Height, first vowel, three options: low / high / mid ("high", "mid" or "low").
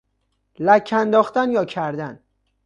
low